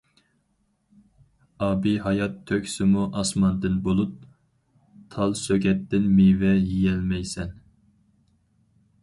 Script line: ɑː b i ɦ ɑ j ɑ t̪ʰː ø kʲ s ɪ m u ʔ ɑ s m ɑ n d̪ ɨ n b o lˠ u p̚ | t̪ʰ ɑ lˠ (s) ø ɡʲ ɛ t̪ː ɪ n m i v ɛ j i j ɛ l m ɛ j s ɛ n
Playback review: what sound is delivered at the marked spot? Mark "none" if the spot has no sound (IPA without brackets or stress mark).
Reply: s